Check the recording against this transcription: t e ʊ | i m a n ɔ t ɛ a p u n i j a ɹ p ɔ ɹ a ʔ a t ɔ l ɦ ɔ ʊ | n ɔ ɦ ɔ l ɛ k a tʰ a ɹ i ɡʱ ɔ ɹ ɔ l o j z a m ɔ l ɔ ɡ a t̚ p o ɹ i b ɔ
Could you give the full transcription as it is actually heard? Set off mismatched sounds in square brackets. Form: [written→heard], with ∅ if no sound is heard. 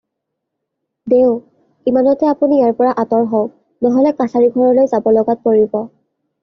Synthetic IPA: [t→d] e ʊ | i m a n ɔ t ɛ a p u n i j a ɹ p ɔ ɹ a ʔ a t ɔ [l→ɹ] ɦ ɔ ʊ | n ɔ ɦ ɔ l ɛ k a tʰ a ɹ i ɡʱ ɔ ɹ ɔ l o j z a [m→b] ɔ l ɔ ɡ a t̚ p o ɹ i b ɔ